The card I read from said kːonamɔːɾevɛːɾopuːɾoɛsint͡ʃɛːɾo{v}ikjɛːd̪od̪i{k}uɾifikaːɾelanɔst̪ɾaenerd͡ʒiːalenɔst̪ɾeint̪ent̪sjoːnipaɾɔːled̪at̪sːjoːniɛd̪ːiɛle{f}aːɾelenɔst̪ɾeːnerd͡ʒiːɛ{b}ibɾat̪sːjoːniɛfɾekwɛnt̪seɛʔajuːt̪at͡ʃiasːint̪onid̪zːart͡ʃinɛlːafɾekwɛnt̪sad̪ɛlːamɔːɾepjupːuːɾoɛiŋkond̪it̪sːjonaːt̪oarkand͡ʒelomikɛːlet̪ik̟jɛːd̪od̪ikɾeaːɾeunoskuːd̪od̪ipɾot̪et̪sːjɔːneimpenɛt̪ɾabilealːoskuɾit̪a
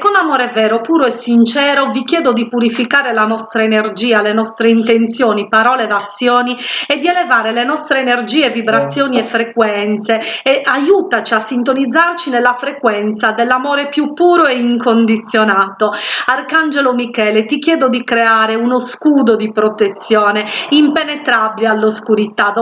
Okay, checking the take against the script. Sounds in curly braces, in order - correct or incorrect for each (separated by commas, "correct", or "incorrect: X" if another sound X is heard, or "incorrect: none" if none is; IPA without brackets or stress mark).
correct, incorrect: p, incorrect: v, incorrect: v